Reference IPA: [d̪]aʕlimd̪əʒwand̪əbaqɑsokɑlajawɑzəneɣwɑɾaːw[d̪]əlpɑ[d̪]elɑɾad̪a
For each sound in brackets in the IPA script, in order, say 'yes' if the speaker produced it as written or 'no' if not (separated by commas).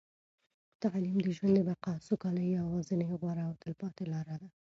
no, no, no